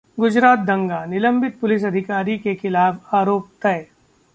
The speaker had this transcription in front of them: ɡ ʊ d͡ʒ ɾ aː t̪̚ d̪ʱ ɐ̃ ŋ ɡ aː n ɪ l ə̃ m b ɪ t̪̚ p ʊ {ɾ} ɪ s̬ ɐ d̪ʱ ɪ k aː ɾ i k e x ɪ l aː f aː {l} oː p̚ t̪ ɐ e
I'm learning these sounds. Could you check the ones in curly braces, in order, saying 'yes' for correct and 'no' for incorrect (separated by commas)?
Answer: no, no